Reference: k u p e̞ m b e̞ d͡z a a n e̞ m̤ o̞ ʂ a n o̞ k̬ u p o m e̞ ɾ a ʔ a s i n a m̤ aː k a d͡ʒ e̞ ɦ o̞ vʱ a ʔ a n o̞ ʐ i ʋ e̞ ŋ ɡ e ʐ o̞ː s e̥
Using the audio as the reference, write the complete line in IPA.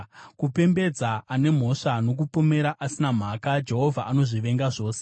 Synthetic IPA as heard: k u p e̞ m b e̞ d͡z a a n e̞ m̤ o̞ ʂ a n o̞ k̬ u p o m e̞ ɾ a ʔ a s i n a m̤ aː k a d͡ʒ e̞ ɦ o̞ vʱ a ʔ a n o̞ ʐ i ʋ e̞ ŋ ɡ a ʐ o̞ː s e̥